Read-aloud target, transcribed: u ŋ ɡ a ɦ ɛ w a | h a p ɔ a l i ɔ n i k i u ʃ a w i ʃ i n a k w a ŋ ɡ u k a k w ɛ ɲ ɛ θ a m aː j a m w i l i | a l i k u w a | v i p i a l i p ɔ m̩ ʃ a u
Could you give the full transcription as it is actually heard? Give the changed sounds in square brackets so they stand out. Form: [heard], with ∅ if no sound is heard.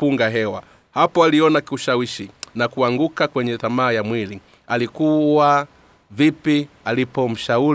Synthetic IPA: u ŋ ɡ a ɦ ɛ w a | h a p ɔ a l i ɔ n [a] k i u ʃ a w i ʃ i n a k [u] a ŋ ɡ u k a k w ɛ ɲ ɛ θ a m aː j a m w i l i | a l i k u w a | v i p i a l i p ɔ m̩ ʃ a u